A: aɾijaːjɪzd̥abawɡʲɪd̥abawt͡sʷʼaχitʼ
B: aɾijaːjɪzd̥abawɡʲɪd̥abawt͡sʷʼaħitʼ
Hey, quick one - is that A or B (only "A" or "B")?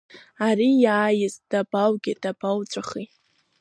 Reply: A